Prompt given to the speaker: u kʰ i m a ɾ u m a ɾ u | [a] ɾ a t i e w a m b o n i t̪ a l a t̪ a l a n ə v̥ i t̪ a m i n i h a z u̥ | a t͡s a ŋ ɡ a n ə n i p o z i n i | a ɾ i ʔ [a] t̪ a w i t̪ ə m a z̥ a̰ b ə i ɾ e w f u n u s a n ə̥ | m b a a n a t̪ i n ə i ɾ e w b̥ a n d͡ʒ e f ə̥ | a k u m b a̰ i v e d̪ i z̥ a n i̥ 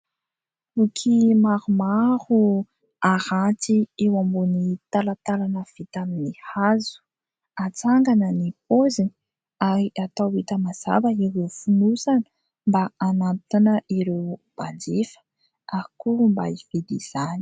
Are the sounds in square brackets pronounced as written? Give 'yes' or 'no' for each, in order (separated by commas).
yes, yes